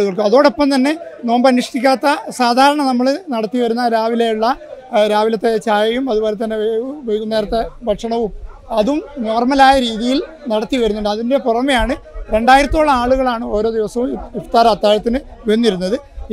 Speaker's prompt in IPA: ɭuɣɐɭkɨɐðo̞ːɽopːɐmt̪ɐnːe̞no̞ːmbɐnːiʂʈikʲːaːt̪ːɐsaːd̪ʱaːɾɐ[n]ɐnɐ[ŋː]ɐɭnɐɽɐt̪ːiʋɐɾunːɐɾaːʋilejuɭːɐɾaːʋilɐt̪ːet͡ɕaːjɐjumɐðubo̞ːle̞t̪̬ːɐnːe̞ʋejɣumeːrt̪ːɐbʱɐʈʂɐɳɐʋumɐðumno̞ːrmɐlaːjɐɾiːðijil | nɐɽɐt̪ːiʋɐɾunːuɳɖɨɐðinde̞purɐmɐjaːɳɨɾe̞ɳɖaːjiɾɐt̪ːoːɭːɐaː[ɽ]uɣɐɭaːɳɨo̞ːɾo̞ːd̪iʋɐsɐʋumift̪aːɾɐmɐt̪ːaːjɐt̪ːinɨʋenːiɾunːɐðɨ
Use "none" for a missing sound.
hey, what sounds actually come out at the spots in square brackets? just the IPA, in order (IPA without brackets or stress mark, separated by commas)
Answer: ɳ, mː, ɭ